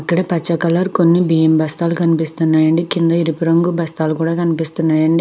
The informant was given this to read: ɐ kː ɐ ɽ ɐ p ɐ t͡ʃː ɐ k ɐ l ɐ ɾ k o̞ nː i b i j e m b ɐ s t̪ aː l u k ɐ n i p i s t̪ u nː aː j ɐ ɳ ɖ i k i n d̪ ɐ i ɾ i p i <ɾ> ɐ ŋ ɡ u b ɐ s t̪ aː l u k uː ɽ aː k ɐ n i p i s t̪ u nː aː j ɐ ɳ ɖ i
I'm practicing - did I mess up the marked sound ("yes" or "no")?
no